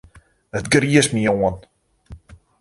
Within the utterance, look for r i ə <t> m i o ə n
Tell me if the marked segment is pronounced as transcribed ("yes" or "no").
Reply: no